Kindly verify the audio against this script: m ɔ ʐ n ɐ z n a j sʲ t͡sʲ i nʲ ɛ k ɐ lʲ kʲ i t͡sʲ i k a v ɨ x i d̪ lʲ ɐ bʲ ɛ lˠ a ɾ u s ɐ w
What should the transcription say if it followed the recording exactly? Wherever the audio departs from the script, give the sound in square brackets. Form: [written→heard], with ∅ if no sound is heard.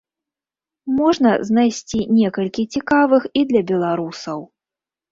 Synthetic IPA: m ɔ ʐ n ɐ z n a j sʲ t͡sʲ i nʲ ɛ k ɐ lʲ kʲ i t͡sʲ i k a v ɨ x i d̪ lʲ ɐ bʲ ɛ lˠ a ɾ u s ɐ w